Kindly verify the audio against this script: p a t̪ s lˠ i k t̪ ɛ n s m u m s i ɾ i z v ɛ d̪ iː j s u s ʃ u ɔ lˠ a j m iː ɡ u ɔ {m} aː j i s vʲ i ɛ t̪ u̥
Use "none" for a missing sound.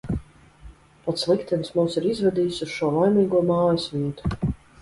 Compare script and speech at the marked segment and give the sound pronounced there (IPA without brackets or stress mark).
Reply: m